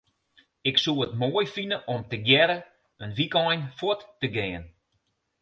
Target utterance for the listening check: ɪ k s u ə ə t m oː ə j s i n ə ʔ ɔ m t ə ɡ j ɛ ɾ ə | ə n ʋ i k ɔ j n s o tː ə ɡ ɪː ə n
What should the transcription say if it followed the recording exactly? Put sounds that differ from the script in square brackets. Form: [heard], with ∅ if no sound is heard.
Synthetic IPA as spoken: ɪ k s u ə ə t m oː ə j [f] i n ə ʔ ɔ m t ə ɡ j ɛ ɾ ə | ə n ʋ i k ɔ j n [f] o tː ə ɡ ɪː ə n